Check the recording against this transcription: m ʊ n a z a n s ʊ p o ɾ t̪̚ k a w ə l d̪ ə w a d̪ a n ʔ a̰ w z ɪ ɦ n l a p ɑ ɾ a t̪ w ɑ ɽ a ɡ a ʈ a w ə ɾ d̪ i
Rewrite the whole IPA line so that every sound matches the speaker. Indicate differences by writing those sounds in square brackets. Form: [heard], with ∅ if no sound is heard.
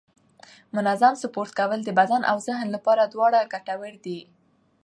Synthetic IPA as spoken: m ʊ n a z a [m] s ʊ p o ɾ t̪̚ k a w ə l d̪ ə [b] a d̪ a n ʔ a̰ w z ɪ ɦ n l a p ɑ ɾ a [d̪] w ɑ ɽ a ɡ a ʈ a w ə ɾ d̪ i

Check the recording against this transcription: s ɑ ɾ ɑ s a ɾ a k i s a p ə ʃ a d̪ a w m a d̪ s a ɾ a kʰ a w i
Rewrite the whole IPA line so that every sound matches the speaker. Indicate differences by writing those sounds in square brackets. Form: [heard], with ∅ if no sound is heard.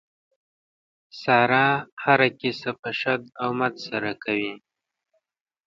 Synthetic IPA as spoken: s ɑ ɾ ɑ [h] a ɾ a k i s a p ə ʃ a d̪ a w m a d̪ s a ɾ a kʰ a w i

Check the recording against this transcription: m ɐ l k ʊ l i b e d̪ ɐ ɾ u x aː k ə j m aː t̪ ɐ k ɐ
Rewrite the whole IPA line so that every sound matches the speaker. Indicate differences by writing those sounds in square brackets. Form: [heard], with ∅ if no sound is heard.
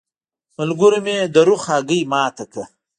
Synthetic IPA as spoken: m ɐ l [ɡ] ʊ [ɾ] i [m] e d̪ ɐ ɾ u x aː [ɡ] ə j m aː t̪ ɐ k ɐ

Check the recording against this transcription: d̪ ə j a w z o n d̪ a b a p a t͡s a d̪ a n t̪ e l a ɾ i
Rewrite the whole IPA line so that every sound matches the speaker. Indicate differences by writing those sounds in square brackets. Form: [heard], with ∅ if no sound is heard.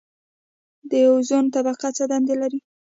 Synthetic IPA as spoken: d̪ ə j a w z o n [t̪] a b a [q] a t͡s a d̪ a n [d̪] e l a ɾ i

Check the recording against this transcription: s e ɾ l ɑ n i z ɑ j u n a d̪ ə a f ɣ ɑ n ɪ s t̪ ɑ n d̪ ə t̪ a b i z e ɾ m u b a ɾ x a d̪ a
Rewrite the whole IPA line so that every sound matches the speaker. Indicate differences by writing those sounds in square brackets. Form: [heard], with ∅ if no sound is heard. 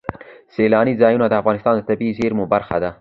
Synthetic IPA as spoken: s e [∅] l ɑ n i z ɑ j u n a d̪ ə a f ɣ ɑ n ɪ s t̪ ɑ n d̪ ə t̪ a b i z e ɾ m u b a ɾ x a d̪ a

